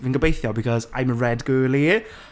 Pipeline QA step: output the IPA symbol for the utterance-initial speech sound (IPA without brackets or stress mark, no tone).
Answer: v